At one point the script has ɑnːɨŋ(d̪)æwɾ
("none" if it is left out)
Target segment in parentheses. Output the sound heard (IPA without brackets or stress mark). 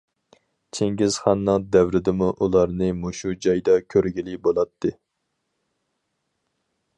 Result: d̪